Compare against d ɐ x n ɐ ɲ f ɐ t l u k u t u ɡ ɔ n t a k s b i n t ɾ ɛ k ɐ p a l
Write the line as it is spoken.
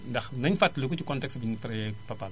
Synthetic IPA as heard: d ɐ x n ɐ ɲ f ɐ t l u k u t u k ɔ n t ɛ k s b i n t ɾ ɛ p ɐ p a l

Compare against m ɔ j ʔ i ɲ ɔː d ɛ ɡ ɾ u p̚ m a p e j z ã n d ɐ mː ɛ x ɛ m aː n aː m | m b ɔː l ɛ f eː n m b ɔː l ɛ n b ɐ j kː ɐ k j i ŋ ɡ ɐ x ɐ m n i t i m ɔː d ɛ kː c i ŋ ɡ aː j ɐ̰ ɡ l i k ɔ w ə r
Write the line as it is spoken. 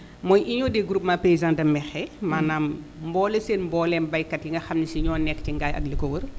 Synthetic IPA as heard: m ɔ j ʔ i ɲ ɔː d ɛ ɡ ɾ u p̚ m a p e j z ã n d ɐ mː ɛ x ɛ m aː n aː m | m b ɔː l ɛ s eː n m b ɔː l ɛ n b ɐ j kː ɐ t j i ŋ ɡ ɐ x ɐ m n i s i ɲ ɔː n ɛ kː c i ŋ ɡ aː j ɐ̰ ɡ l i k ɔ w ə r

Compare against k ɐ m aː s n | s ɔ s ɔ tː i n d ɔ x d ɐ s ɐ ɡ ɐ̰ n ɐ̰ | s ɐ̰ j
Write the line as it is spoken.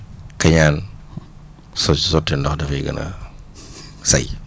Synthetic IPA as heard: k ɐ ɲ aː n | s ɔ s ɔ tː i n d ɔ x d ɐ f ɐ ɡ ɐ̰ n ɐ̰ | s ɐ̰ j

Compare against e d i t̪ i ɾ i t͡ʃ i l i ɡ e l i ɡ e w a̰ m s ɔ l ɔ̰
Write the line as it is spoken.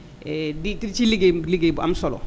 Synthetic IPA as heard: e d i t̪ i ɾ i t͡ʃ i l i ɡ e l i ɡ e b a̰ m s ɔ l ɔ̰

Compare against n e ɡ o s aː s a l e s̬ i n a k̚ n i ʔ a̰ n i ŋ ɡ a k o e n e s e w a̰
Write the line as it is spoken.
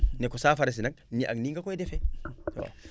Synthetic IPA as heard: n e k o s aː f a ɾ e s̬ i n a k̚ n i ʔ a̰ n i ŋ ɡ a k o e d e f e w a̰

